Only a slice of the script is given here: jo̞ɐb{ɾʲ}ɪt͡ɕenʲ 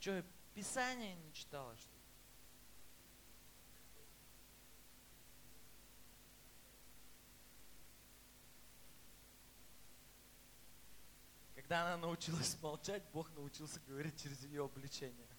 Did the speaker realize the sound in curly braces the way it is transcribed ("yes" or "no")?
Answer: no